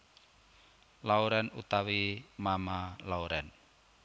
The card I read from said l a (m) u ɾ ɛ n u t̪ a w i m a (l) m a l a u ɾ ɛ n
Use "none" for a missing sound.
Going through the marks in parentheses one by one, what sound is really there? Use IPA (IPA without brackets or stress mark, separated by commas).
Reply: none, none